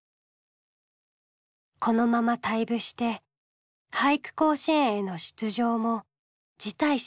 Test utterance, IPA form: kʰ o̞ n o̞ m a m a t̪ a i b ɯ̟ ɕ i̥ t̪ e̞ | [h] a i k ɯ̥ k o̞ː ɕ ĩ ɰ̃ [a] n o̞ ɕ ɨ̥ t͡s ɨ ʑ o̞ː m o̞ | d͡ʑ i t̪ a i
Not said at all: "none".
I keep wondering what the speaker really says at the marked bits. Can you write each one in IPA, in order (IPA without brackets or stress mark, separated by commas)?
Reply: h, e